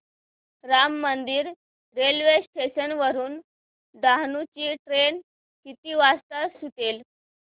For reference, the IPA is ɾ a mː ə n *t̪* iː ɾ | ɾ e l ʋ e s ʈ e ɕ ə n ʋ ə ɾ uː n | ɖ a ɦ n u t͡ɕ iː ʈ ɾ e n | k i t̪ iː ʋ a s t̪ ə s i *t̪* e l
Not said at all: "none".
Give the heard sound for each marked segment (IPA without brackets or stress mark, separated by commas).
d̪, t̪